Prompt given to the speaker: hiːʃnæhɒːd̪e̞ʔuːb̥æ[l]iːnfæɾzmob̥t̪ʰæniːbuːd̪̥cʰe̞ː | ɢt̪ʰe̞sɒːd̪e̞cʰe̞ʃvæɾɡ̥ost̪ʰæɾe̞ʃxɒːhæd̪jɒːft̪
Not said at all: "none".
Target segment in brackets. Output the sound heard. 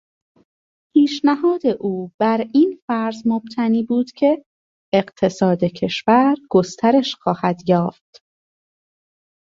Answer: ɾ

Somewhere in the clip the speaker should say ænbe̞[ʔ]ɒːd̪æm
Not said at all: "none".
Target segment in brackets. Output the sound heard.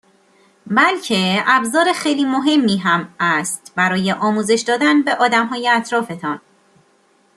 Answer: ʔ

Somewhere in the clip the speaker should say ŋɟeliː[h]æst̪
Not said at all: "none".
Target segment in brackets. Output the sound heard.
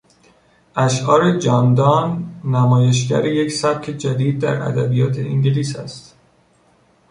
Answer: s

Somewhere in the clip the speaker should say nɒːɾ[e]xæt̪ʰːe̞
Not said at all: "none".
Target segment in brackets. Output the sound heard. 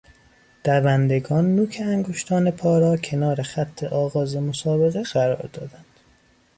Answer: e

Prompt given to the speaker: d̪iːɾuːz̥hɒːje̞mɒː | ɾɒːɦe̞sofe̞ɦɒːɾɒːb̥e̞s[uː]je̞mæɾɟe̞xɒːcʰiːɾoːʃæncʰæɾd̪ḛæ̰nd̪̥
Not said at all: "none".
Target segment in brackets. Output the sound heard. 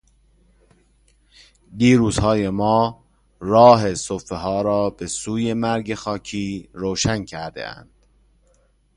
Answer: uː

